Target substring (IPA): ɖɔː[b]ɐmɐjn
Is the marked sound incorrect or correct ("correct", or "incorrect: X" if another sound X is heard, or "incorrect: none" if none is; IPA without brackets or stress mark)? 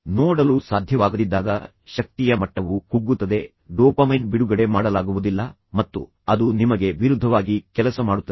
incorrect: p